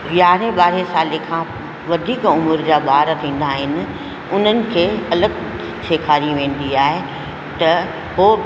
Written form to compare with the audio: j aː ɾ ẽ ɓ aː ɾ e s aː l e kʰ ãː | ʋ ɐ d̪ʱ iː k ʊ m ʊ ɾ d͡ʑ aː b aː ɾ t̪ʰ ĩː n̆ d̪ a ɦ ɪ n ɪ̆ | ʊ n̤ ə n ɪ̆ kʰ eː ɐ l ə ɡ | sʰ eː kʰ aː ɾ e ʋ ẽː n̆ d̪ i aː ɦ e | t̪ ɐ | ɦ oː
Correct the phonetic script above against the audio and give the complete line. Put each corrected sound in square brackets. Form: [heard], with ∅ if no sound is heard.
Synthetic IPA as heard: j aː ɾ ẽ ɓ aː ɾ e s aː l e kʰ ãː | ʋ ɐ d̪ʱ iː k ʊ m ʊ ɾ d͡ʑ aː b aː ɾ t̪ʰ ĩː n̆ d̪ a ɦ ɪ n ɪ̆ | ʊ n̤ ə n ɪ̆ kʰ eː ɐ l ə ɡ | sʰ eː kʰ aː ɾ [i] ʋ ẽː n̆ d̪ i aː ɦ e | t̪ ɐ | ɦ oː